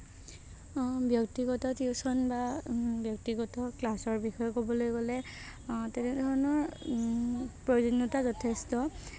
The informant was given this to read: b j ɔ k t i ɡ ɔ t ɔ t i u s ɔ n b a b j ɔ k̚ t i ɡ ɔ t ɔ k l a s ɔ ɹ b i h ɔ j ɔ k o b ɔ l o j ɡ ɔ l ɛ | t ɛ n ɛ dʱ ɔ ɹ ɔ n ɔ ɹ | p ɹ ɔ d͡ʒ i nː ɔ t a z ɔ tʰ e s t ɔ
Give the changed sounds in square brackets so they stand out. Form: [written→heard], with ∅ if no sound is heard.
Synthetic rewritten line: b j ɔ k t i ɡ ɔ t ɔ t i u s ɔ n b a b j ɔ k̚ t i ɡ ɔ t ɔ k l a s ɔ ɹ b i [h→x] ɔ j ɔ k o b ɔ l o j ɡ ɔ l ɛ | t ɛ n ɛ dʱ ɔ ɹ ɔ n ɔ ɹ | p ɹ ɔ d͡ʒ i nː ɔ t a z ɔ tʰ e s t ɔ